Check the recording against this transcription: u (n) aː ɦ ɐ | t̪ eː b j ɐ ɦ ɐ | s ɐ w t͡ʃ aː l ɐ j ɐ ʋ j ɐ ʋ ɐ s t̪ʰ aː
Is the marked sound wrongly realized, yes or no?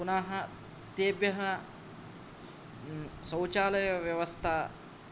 no